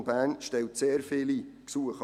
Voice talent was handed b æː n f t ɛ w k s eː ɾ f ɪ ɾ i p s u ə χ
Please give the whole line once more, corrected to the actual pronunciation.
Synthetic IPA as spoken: b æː n ʃ t ɛ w t s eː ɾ f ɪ l i k s u ə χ